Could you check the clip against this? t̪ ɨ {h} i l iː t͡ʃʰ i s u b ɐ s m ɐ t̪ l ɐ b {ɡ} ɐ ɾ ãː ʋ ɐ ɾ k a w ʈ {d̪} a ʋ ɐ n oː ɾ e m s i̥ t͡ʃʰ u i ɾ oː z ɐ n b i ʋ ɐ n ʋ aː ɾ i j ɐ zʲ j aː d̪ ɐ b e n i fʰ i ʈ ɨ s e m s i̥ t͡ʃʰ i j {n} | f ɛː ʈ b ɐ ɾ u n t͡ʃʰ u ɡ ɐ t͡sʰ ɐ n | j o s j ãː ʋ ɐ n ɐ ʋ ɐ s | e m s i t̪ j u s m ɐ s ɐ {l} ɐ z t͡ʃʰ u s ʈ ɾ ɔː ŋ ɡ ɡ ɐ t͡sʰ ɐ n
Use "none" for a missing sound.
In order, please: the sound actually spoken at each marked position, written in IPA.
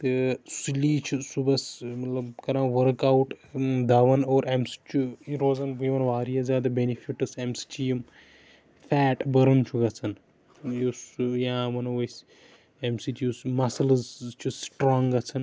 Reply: s, k, d̪, m, l

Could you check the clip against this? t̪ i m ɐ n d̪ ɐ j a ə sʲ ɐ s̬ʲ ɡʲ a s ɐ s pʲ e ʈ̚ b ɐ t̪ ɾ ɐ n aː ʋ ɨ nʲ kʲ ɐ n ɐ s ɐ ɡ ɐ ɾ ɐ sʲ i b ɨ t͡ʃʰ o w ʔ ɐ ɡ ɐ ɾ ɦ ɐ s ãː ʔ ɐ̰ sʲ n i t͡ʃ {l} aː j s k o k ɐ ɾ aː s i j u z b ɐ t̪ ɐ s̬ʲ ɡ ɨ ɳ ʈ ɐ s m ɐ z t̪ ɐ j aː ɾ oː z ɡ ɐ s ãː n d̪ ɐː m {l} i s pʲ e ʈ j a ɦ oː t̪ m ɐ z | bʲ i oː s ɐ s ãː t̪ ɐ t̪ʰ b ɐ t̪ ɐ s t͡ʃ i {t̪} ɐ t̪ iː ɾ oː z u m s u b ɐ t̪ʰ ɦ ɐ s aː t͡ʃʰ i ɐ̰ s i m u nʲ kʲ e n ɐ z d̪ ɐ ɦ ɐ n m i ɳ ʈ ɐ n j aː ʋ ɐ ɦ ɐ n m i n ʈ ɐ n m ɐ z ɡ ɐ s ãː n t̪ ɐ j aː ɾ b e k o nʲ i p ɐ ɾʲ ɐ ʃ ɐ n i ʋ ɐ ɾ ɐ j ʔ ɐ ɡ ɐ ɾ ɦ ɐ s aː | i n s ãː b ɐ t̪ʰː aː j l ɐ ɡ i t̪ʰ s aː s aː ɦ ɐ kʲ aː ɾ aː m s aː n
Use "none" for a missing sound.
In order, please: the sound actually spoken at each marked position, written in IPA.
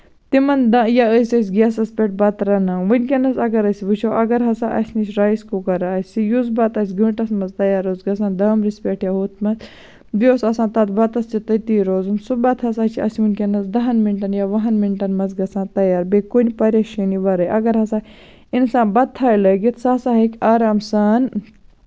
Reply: ɾ, ɾ, t̪

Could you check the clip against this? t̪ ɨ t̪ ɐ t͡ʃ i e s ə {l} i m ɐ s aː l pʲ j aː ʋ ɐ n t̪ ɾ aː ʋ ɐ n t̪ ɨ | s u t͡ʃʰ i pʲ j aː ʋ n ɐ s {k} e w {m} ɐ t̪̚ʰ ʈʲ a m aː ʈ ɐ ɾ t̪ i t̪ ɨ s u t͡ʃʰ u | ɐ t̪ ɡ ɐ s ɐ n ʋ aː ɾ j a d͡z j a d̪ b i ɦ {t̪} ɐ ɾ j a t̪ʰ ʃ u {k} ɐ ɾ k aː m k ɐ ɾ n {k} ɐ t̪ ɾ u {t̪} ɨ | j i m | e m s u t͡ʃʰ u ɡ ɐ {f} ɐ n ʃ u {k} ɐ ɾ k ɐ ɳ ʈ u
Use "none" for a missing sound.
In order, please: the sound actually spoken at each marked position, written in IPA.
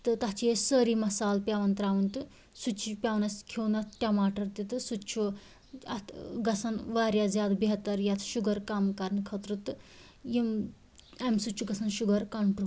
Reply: ɾ, kʰ, n, t̪, ɡ, kʰ, t̪, s, ɡ

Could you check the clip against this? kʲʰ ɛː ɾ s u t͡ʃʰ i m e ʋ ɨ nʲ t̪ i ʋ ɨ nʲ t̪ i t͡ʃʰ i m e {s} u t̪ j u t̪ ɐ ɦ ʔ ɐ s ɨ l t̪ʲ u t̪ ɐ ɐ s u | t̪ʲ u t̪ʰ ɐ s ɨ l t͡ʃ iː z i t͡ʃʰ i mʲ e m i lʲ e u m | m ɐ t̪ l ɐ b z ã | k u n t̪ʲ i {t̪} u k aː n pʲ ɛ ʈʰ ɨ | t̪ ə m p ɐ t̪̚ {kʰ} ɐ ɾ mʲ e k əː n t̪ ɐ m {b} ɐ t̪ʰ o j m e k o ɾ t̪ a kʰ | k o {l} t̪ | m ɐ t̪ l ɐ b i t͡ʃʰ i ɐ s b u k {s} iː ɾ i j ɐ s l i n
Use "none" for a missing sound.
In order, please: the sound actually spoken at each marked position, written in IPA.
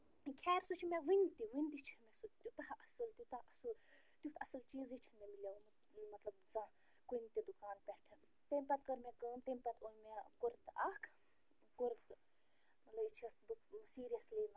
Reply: s, d̪, k, p, ɾ, s

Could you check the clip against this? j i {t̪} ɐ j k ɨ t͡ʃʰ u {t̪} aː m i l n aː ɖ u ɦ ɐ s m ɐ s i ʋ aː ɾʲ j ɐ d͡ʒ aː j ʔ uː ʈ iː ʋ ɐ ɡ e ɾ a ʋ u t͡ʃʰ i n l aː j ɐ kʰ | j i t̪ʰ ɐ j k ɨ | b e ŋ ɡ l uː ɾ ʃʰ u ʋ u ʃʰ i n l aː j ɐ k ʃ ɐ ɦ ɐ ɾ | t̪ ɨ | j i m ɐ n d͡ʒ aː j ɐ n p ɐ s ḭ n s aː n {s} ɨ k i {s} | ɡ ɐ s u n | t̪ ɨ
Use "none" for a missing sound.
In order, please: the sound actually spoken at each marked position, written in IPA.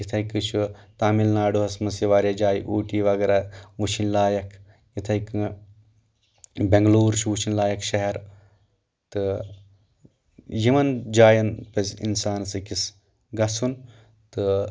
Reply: t̪ʰ, t̪, s, s

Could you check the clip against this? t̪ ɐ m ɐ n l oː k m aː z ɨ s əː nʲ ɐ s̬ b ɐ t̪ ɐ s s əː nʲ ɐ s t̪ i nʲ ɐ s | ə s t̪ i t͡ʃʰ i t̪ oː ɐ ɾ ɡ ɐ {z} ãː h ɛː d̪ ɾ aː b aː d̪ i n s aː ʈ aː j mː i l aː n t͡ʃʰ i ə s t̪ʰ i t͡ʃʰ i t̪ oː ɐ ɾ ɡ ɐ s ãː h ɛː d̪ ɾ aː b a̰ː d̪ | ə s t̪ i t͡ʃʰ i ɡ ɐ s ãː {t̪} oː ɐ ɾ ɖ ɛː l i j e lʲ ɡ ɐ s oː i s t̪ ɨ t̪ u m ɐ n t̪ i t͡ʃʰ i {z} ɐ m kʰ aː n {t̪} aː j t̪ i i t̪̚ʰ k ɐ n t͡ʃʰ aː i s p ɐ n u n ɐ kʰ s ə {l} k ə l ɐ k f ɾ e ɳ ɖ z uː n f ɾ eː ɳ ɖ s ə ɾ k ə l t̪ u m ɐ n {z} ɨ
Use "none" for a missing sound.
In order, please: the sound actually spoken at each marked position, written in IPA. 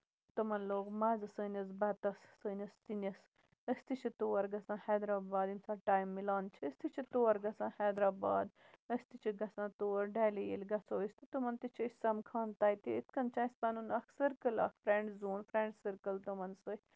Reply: s, t̪, s, t̪, ɾ, s

